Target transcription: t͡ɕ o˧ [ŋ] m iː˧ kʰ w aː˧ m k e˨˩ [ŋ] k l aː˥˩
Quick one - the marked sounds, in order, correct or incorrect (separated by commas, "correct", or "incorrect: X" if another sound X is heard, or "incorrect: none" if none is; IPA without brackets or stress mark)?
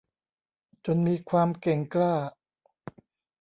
incorrect: n, correct